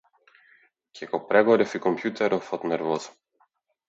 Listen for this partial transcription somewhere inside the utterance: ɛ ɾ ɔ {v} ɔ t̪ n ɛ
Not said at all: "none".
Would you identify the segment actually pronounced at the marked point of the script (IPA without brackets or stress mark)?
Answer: f